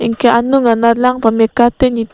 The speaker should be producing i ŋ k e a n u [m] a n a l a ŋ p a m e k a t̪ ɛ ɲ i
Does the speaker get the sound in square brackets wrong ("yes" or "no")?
yes